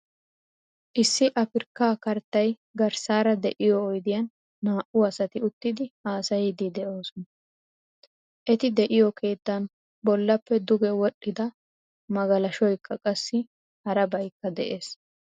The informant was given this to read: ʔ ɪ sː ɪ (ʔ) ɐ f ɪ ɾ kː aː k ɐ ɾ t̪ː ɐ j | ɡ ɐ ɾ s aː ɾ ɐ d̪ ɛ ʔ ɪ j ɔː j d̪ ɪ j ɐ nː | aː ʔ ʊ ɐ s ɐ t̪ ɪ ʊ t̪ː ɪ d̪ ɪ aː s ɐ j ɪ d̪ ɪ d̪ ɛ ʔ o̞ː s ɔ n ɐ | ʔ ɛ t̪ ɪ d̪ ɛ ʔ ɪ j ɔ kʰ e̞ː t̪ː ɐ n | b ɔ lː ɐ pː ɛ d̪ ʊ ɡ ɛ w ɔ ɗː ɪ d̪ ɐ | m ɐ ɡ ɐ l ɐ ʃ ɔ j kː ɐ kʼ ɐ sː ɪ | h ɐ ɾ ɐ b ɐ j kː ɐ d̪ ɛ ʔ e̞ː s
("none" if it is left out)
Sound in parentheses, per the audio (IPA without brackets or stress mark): ʔ